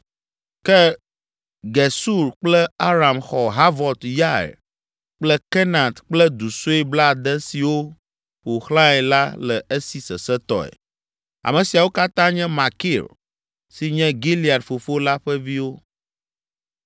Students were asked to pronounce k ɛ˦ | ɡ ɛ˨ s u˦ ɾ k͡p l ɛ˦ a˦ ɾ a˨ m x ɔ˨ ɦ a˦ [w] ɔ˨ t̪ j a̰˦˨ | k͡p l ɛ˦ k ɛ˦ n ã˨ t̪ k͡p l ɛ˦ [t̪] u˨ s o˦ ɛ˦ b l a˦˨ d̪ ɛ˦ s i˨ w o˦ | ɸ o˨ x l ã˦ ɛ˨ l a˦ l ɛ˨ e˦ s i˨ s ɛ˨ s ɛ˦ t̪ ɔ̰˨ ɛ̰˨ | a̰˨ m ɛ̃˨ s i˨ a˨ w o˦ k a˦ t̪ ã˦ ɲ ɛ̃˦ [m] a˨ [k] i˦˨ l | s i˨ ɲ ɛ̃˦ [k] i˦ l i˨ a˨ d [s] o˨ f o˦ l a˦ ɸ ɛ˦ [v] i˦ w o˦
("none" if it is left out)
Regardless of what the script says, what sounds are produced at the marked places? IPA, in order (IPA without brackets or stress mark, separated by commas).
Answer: v, d̪, m, k, ɡ, f, v